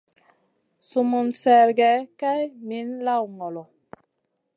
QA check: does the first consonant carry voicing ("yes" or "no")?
no